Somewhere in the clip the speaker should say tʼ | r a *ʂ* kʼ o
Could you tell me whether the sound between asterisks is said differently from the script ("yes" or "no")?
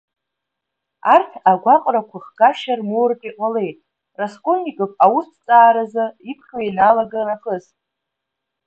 yes